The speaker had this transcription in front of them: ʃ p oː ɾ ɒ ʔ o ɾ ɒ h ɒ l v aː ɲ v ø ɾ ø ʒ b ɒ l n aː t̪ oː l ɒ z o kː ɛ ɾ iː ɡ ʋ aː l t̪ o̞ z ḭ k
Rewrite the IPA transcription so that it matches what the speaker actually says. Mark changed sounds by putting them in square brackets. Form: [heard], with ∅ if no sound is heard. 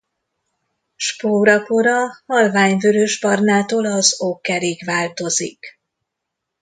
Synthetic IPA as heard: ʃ p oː ɾ ɒ [k] o ɾ ɒ h ɒ l v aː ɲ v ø ɾ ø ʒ b ɒ [r] n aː t̪ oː l ɒ z o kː ɛ ɾ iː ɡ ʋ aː l t̪ o̞ z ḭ k